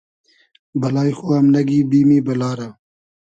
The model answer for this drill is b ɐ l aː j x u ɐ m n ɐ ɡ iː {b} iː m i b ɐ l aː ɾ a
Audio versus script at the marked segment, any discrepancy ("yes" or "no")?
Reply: no